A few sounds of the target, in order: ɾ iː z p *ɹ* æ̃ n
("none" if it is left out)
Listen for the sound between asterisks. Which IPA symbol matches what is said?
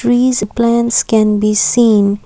l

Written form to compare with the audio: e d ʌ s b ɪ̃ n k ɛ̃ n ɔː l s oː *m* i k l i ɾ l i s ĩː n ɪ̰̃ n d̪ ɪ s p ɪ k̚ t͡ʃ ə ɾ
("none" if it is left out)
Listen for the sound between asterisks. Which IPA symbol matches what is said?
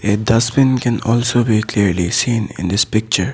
b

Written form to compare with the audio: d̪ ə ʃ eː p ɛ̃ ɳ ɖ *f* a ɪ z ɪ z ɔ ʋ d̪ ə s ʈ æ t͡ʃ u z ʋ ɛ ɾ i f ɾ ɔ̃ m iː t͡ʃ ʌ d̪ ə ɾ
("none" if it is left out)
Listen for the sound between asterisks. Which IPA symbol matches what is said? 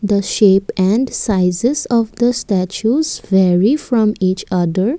s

